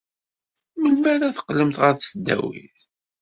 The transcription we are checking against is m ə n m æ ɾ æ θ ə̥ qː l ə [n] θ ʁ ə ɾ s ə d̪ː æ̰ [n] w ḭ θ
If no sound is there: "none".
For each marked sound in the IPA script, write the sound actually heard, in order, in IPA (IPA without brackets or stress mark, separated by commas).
m, none